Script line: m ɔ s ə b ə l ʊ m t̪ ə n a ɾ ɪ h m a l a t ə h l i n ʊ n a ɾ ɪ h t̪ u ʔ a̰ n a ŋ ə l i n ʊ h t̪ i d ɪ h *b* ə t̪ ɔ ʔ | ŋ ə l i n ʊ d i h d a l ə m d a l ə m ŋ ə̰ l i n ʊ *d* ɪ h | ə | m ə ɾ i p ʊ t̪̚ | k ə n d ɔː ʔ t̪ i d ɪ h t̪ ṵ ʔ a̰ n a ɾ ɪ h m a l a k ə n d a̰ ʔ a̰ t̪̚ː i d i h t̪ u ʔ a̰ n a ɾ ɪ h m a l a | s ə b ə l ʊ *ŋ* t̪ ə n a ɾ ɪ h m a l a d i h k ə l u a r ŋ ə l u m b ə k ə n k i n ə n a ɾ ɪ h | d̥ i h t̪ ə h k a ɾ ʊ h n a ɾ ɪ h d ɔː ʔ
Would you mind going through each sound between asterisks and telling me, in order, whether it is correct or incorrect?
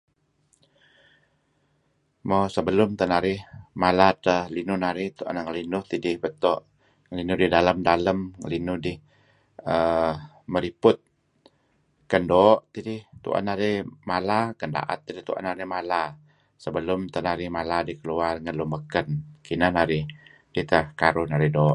correct, correct, incorrect

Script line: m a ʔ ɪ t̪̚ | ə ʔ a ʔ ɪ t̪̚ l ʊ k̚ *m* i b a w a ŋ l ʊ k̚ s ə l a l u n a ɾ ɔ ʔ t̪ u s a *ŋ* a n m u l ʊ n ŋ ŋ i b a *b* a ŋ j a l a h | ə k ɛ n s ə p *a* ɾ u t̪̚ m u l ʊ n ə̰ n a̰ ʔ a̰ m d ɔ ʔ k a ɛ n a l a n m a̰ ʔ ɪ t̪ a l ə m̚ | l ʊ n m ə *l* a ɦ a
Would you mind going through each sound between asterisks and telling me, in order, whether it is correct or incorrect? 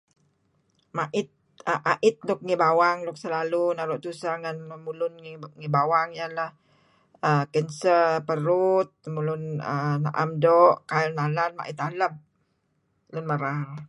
incorrect, correct, incorrect, incorrect, incorrect

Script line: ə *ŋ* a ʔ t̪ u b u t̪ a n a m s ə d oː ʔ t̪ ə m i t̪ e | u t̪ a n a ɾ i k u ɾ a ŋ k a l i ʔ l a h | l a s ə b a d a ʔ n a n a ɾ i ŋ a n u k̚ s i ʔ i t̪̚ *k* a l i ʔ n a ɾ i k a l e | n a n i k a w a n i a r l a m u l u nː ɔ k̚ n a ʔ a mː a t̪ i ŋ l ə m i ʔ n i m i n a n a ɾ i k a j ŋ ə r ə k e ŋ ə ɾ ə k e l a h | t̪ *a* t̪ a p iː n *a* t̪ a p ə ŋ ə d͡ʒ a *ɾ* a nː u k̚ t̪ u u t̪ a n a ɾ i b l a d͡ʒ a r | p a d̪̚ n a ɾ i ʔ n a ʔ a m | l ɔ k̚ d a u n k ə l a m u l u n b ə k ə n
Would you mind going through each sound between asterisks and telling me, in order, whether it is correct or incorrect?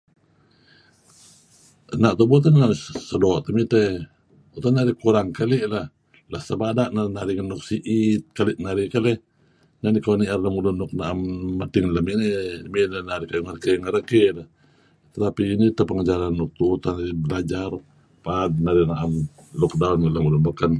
incorrect, correct, incorrect, incorrect, correct

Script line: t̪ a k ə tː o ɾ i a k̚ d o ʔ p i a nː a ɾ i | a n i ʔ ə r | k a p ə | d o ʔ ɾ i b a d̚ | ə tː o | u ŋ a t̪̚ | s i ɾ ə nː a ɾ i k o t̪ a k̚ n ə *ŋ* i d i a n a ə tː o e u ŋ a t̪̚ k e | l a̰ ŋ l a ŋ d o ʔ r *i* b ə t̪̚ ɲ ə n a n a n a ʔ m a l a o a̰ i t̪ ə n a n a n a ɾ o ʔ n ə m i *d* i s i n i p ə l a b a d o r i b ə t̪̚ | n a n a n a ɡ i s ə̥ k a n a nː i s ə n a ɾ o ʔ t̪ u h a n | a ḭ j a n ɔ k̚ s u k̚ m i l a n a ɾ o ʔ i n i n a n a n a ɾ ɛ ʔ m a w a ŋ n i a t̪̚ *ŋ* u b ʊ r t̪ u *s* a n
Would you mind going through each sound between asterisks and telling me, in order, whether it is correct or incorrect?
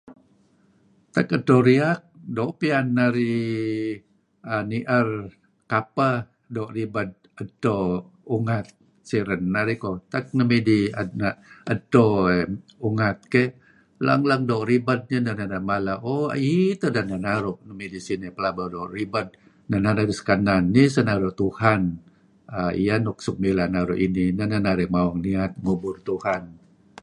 incorrect, correct, correct, correct, incorrect

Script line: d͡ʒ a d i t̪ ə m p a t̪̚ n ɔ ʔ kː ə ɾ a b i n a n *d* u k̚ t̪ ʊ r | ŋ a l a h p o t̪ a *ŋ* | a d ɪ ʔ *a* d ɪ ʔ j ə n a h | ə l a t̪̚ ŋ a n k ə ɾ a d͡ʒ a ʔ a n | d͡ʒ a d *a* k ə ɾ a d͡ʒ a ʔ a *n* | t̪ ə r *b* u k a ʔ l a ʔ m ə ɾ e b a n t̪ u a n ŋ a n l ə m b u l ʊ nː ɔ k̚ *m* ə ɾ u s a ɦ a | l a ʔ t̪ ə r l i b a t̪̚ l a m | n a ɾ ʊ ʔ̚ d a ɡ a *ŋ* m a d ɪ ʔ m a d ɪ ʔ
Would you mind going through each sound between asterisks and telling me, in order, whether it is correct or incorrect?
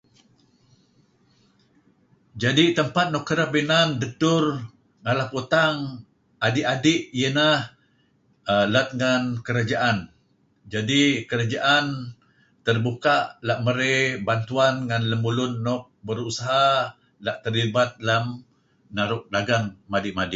correct, correct, correct, incorrect, correct, correct, incorrect, correct

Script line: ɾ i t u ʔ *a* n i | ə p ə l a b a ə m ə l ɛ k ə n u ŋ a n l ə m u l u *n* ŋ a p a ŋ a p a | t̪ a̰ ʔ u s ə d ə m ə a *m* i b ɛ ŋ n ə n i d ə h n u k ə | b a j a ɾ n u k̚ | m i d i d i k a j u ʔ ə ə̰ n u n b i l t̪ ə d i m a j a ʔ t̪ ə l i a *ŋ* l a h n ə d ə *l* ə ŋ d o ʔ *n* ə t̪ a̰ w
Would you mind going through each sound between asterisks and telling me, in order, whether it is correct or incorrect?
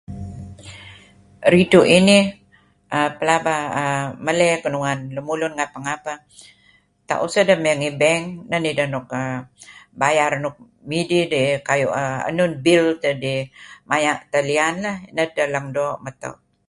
incorrect, correct, incorrect, incorrect, correct, incorrect

